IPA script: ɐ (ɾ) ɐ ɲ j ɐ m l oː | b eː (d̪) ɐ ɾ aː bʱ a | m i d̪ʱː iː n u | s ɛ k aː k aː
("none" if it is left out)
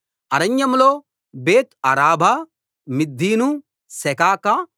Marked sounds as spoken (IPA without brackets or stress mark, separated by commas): ɾ, t̪